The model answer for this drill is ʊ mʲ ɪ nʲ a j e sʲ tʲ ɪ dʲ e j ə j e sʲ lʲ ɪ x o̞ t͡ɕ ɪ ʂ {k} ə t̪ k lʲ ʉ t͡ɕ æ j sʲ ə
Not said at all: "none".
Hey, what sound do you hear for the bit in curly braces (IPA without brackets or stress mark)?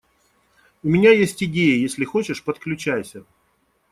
p